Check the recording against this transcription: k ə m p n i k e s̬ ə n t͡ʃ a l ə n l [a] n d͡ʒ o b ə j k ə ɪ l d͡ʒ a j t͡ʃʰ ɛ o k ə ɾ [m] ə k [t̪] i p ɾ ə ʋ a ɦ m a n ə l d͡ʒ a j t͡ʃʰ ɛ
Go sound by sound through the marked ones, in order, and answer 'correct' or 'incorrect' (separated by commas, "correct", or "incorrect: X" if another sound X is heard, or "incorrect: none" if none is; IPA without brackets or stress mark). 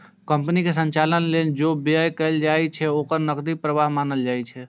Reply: incorrect: e, incorrect: n, incorrect: d̪